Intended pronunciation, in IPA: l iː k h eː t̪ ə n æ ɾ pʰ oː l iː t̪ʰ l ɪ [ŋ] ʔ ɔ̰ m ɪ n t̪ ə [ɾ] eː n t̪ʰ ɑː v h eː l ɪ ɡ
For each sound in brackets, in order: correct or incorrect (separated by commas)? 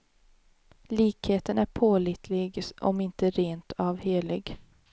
incorrect, correct